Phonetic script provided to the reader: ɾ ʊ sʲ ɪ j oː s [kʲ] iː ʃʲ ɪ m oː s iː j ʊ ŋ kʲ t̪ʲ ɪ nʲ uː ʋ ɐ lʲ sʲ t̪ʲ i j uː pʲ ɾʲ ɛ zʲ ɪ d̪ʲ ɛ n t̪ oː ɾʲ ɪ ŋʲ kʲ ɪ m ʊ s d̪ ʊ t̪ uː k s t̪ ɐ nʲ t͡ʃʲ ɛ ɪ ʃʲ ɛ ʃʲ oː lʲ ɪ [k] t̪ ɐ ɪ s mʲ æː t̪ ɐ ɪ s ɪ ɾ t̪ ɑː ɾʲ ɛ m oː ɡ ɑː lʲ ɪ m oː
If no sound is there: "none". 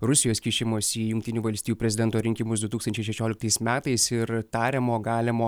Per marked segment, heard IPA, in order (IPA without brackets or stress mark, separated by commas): kʲ, k